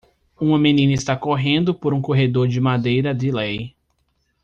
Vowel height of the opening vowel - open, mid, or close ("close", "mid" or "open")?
close